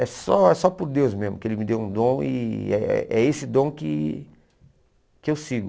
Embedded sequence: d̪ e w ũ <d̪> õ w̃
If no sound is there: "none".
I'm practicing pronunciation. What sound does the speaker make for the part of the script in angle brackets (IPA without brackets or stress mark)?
d̪